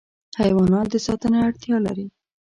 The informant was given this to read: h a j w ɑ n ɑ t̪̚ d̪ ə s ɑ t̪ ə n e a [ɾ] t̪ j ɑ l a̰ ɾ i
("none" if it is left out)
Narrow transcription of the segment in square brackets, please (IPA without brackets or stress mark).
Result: ɽ